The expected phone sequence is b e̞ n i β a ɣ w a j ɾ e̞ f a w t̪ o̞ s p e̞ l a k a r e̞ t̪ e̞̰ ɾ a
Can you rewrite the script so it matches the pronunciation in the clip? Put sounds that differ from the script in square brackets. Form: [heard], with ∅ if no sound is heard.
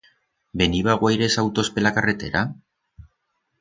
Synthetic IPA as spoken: b e̞ n i β a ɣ w a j ɾ e̞ [s] a w t̪ o̞ s p e̞ l a k a r e̞ t̪ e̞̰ ɾ a